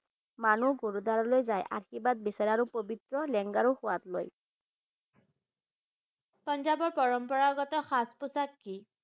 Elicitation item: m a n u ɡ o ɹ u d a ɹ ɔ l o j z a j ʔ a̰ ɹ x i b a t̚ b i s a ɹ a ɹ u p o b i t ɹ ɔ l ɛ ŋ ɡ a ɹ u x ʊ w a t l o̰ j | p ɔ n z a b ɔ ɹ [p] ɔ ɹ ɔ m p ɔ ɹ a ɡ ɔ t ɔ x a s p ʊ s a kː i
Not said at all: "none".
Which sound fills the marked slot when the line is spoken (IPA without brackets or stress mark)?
p